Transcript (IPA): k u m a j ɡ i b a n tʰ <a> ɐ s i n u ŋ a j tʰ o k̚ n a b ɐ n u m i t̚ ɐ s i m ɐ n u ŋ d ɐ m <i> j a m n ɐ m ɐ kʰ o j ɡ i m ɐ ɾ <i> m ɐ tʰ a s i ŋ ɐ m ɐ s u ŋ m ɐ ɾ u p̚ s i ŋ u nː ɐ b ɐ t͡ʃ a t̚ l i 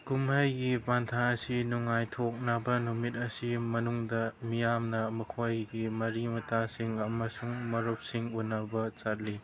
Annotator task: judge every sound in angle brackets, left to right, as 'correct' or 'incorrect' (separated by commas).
correct, correct, correct